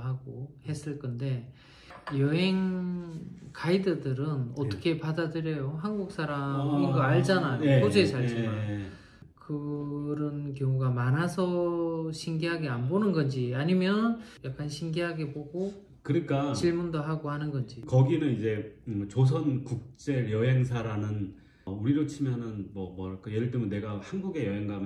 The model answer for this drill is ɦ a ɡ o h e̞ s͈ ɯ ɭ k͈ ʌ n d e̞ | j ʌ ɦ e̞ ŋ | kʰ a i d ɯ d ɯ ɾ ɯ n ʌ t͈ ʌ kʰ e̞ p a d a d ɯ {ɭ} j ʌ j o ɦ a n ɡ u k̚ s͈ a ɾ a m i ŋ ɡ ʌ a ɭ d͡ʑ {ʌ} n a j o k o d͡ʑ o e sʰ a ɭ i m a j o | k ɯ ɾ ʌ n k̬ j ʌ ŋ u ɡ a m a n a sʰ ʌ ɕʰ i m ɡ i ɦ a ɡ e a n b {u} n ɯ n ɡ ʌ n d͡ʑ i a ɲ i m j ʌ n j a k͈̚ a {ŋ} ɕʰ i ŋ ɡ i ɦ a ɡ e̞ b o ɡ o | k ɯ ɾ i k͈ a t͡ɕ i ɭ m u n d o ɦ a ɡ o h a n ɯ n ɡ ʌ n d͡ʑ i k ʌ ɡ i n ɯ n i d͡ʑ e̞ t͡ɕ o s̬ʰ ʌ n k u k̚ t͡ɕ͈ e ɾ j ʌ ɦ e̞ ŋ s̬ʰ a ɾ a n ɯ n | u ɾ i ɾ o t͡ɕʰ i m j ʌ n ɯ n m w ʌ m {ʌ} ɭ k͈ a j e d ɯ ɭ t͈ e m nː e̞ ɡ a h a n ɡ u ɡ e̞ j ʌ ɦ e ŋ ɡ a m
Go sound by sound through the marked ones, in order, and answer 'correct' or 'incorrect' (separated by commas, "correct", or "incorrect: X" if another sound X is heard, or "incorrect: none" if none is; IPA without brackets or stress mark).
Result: incorrect: ɾ, incorrect: a, incorrect: o, incorrect: n, correct